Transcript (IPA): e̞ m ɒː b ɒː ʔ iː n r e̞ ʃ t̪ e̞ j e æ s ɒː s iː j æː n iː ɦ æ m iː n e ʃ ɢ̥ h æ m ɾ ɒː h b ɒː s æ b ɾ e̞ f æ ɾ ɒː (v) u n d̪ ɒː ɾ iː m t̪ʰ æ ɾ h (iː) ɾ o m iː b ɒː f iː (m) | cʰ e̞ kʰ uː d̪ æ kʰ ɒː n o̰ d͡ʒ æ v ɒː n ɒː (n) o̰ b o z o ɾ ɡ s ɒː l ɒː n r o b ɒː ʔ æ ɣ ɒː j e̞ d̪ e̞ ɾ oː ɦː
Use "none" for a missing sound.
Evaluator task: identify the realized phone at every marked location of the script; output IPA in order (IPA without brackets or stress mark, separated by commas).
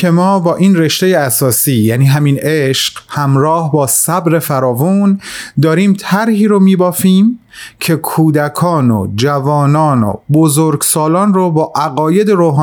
v, iː, m, n